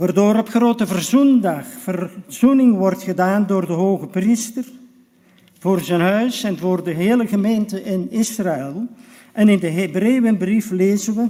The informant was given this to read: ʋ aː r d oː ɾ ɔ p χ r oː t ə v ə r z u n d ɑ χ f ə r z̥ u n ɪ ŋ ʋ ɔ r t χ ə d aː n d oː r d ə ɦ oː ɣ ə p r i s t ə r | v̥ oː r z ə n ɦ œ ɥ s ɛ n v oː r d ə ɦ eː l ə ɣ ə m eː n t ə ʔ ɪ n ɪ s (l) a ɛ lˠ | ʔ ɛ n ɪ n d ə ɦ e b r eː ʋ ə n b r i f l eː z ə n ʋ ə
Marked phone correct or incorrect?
incorrect